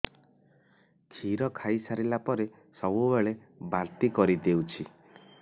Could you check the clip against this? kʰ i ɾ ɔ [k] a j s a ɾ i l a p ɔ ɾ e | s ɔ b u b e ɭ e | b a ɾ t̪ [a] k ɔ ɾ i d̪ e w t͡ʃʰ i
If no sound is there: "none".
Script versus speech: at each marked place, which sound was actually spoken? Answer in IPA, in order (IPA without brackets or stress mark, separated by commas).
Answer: kʰ, i